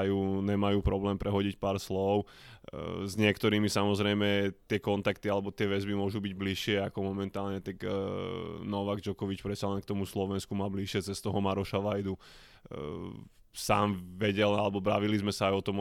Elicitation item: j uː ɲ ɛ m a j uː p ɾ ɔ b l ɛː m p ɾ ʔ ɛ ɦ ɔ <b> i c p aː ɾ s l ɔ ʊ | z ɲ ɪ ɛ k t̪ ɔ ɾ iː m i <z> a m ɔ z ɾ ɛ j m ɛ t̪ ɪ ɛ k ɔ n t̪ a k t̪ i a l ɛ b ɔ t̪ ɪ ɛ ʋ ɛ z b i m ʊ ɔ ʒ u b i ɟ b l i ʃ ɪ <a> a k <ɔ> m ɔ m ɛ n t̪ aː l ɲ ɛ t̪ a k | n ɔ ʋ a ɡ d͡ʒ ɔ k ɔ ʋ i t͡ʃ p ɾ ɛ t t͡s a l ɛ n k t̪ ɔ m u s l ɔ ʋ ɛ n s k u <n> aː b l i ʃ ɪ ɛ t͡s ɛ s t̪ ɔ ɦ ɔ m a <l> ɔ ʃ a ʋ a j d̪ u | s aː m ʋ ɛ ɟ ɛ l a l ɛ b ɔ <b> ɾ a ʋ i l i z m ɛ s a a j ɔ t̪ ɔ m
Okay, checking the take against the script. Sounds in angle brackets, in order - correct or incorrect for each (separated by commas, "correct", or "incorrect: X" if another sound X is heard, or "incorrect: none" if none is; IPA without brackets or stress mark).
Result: incorrect: ɟ, incorrect: s, incorrect: ɛ, correct, incorrect: m, incorrect: ɾ, correct